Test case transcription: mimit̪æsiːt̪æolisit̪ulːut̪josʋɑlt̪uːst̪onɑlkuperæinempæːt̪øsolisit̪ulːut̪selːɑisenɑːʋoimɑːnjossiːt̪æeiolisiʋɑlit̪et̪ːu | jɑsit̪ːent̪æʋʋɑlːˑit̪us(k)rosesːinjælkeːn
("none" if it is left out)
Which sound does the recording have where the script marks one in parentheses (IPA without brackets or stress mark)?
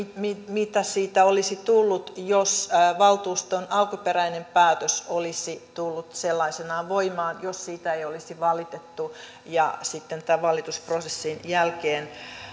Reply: p